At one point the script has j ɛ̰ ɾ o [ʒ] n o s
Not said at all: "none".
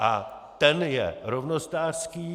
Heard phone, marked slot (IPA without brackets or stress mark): v